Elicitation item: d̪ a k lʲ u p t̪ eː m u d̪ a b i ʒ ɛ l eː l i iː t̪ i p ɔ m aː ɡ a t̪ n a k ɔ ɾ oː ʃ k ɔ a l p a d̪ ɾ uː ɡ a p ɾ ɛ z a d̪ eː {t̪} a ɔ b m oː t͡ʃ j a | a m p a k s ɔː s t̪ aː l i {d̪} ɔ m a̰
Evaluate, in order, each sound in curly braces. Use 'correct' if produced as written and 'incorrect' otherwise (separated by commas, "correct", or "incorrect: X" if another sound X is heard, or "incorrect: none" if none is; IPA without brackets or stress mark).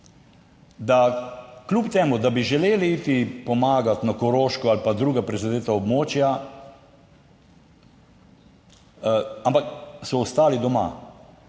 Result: correct, correct